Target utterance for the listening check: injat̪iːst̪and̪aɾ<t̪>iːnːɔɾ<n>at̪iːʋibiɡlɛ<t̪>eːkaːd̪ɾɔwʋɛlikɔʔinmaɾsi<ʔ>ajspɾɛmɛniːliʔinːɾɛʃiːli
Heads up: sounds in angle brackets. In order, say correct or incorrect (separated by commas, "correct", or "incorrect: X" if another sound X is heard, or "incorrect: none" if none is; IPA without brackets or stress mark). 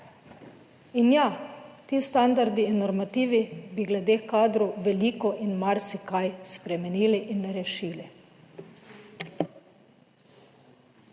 incorrect: d̪, incorrect: m, incorrect: d̪, incorrect: k